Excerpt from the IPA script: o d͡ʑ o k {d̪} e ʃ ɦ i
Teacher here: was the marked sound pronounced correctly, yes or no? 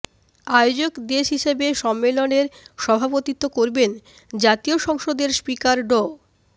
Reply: yes